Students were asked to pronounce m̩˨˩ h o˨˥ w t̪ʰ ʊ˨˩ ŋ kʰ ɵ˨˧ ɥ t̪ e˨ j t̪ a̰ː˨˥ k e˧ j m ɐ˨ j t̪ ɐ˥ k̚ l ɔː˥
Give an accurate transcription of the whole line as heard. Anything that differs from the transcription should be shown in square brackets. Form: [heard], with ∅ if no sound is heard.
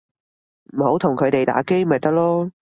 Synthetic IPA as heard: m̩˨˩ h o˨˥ w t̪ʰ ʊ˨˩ ŋ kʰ ɵ˨˧ ɥ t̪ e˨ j t̪ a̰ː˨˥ k [e˥] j m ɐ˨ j t̪ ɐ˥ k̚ l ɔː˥

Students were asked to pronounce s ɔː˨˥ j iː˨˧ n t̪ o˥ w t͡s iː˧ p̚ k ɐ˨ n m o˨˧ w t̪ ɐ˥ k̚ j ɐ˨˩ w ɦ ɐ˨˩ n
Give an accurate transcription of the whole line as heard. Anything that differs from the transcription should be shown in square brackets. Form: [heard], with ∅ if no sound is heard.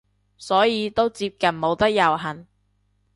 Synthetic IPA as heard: s ɔː˨˥ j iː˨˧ [∅] t̪ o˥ w t͡s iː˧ p̚ k ɐ˨ n m o˨˧ w t̪ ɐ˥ k̚ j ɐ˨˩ w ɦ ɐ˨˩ n

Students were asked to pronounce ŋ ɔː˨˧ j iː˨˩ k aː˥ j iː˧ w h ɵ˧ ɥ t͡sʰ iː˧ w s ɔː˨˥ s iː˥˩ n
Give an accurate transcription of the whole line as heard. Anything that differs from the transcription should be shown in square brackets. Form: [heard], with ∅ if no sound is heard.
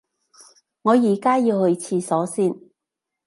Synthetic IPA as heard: ŋ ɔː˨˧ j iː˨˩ k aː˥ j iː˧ w h ɵ˧ ɥ t͡sʰ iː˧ [∅] s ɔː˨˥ s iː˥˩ n

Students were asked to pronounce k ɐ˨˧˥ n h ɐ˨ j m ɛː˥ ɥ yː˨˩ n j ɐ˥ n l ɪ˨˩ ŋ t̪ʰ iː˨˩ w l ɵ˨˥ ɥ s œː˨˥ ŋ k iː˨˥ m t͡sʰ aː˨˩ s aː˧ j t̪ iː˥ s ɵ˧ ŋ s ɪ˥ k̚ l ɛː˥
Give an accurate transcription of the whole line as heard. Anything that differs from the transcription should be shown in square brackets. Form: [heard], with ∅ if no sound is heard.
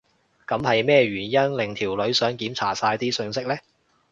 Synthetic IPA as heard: k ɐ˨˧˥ [m] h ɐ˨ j m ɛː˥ ɥ yː˨˩ n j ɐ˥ n l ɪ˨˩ ŋ t̪ʰ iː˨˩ w l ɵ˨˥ ɥ s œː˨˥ ŋ k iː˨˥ m t͡sʰ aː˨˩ s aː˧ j t̪ iː˥ s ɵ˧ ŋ s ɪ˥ k̚ l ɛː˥

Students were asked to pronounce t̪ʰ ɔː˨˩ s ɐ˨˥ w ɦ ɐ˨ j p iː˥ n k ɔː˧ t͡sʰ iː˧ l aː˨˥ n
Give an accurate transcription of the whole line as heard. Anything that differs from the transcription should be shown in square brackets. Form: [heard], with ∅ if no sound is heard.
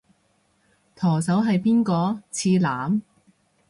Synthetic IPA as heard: t̪ʰ ɔː˨˩ s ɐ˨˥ w ɦ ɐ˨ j p iː˥ n k ɔː˧ t͡sʰ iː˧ l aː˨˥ [m]

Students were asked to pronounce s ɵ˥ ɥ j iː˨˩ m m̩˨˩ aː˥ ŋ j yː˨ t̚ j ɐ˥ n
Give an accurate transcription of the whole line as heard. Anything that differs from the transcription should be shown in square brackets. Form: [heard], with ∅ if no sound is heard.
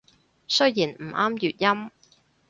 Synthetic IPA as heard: s ɵ˥ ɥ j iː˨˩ [n] m̩˨˩ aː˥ [m] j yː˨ t̚ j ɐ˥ [m]

